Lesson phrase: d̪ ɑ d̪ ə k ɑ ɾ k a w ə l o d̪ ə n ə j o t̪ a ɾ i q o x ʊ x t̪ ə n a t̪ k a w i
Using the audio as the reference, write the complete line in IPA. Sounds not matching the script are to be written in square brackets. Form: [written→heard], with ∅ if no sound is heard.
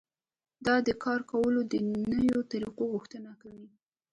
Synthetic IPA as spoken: d̪ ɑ d̪ ə k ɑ ɾ k a w ə l o d̪ ə n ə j o t̪ a ɾ i q o [x→ɣ] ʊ x t̪ ə n a [t̪→∅] k a w i